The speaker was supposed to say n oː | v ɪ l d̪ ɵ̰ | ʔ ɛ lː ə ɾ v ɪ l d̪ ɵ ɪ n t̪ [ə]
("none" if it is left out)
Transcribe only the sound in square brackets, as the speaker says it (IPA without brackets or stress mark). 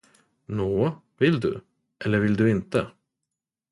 ə